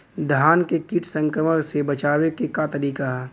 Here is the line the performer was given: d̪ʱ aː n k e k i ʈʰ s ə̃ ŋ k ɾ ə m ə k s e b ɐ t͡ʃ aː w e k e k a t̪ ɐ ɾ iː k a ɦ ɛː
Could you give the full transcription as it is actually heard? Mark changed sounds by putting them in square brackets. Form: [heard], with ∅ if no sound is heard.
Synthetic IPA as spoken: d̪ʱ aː n k e k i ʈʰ s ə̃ ŋ k ɾ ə m ə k s e b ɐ t͡ʃ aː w e k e k a t̪ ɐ ɾ iː k a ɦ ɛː

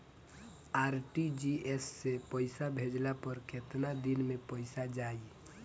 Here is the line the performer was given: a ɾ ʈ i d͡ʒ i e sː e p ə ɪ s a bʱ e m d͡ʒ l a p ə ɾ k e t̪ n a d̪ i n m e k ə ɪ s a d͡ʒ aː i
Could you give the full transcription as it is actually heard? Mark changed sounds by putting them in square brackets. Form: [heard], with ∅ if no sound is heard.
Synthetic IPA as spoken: a ɾ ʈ i d͡ʒ i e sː e p ə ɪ s a bʱ e [∅] d͡ʒ l a p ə ɾ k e t̪ n a d̪ i n m e [p] ə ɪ s a d͡ʒ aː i

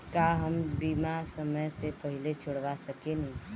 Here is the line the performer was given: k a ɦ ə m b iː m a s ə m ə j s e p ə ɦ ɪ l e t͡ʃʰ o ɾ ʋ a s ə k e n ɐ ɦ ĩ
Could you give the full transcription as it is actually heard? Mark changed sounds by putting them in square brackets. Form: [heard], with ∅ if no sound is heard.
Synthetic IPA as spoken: k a ɦ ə m b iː m a s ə m ə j s e p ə ɦ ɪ l e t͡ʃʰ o [ɽ] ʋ a s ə k e n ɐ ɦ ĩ

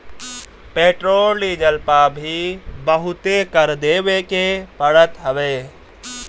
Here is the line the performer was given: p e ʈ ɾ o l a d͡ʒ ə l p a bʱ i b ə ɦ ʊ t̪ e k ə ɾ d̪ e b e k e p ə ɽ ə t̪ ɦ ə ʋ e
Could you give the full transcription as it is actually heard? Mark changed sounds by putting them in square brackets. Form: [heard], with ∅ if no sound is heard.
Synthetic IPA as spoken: p e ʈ ɾ o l [i] d͡ʒ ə l p a bʱ i b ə ɦ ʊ t̪ e k ə ɾ d̪ e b e k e p ə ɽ ə t̪ ɦ ə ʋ e

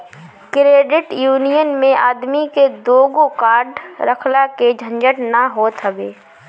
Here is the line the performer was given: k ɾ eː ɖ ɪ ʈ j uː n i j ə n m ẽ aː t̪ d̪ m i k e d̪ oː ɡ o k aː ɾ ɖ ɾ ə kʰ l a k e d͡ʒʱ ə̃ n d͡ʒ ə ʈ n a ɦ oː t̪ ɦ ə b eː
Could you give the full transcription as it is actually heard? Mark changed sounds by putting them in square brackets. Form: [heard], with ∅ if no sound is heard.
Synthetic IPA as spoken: k ɾ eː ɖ ɪ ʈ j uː n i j ə n m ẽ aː [∅] d̪ m i k e d̪ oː ɡ o k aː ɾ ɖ ɾ ə kʰ l a k e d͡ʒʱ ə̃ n d͡ʒ ə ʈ n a ɦ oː t̪ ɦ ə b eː

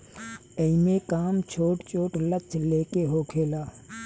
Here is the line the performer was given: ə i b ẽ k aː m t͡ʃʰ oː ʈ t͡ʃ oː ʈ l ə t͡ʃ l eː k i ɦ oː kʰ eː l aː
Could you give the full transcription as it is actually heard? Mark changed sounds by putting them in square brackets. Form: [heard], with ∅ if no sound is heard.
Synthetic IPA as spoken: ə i [m] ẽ k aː m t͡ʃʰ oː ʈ t͡ʃ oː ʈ l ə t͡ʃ l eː k [e] ɦ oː kʰ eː l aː

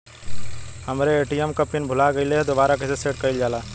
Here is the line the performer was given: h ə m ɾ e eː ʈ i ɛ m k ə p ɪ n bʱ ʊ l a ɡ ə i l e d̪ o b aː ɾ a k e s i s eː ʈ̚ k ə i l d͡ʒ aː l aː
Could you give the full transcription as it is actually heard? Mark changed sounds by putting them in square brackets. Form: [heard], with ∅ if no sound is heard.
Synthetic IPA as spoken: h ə m ɾ e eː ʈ i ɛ m k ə p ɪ n bʱ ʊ l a ɡ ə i l e d̪ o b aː ɾ a k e s [e] s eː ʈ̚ k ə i l d͡ʒ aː l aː

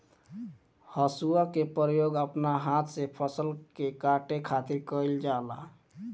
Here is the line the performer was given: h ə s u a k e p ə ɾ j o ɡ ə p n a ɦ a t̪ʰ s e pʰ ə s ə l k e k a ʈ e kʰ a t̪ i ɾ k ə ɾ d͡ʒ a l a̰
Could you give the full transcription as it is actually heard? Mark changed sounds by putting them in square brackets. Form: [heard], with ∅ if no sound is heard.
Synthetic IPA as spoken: h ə s u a k e p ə ɾ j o ɡ ə p n a ɦ a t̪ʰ s e pʰ ə s ə l k e k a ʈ e kʰ a t̪ i ɾ k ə [l] d͡ʒ a l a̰

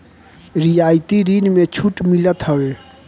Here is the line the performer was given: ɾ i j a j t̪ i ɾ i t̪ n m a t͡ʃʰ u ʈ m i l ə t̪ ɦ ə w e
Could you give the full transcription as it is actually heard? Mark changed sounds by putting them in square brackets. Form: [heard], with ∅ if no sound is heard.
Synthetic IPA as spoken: ɾ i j a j t̪ i ɾ i [∅] n m [e] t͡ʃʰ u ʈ m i l ə t̪ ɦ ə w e

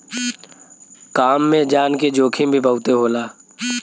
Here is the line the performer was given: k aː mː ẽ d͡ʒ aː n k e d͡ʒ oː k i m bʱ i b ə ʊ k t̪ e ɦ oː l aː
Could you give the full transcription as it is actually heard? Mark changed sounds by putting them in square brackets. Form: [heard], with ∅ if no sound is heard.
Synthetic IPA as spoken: k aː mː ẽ d͡ʒ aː n k e d͡ʒ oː [kʰ] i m bʱ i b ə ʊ [∅] t̪ e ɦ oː l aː

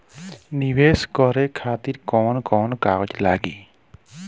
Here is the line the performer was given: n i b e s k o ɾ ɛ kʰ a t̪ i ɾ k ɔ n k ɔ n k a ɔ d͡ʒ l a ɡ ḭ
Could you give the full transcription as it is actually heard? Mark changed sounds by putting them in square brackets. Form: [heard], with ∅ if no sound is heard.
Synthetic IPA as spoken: n i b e s k [ɔ] ɾ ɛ kʰ a t̪ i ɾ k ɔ n k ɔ n k a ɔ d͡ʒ l a ɡ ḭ

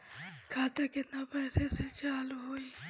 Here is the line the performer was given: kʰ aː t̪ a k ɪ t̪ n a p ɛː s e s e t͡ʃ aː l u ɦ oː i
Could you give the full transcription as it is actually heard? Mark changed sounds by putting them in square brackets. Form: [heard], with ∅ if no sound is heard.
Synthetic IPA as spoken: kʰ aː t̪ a k ɪ t̪ n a p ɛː s e s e t͡ʃ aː l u ɦ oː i

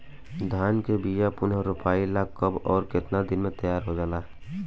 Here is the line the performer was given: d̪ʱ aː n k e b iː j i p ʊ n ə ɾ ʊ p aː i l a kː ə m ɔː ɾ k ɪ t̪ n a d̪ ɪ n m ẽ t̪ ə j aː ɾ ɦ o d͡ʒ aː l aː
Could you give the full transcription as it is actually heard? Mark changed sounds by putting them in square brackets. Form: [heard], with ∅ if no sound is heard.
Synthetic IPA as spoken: d̪ʱ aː n k e b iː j [a] p ʊ n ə ɾ ʊ p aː i l a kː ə [b] ɔː ɾ k ɪ t̪ n a d̪ ɪ n m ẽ t̪ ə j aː ɾ ɦ o d͡ʒ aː l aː

